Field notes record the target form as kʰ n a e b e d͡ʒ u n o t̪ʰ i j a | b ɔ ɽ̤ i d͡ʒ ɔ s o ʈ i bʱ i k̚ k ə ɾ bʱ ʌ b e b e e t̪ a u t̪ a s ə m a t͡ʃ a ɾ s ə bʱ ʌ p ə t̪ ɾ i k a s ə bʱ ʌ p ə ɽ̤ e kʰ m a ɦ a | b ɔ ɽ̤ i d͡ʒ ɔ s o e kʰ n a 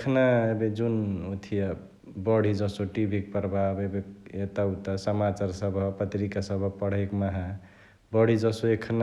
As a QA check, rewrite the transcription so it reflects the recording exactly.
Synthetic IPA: kʰ n a e b e d͡ʒ u n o t̪ʰ i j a | b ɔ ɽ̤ i d͡ʒ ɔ s o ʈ i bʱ i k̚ p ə ɾ bʱ a b e b e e t̪ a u t̪ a s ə m a t͡ʃ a ɾ s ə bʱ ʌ p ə t̪ ɾ i k a s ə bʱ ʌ p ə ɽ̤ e k m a ɦ a | b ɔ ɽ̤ i d͡ʒ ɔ s o e kʰ n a